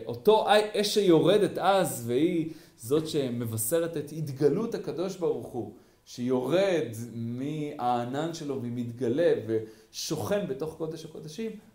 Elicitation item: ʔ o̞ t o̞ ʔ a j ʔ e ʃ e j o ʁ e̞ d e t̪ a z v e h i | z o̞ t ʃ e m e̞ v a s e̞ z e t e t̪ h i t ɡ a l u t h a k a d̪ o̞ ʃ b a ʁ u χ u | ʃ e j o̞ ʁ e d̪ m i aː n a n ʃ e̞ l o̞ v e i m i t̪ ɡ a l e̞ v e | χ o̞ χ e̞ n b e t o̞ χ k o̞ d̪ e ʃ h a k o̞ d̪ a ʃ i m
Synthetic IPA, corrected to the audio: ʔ o̞ t o̞ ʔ a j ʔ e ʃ e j o ʁ e̞ d e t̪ a z v e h i | z o̞ t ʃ e m e̞ v a s e̞ ʁ e t e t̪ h i t ɡ a l u t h a k a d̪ o̞ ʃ b a ʁ u χ u | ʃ e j o̞ ʁ e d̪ m i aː n a n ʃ e̞ l o̞ v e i m i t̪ ɡ a l e̞ v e | ʃ o̞ χ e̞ n b e t o̞ χ k o̞ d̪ e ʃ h a k o̞ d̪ a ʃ i m